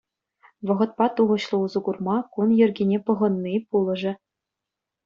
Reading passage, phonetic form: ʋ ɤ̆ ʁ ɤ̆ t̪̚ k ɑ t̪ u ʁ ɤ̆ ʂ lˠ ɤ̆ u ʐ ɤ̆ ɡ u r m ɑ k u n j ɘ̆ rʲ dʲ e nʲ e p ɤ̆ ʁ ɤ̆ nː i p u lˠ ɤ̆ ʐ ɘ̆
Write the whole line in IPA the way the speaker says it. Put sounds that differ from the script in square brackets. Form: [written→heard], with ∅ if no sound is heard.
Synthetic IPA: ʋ ɤ̆ ʁ ɤ̆ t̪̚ [k→p] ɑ t̪ u ʁ ɤ̆ [ʂ→ɕ] lˠ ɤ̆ u [ʐ→z] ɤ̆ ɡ u r m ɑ k u n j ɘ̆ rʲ [dʲ→ɡʲ] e nʲ e p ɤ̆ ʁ ɤ̆ nː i p u lˠ ɤ̆ ʐ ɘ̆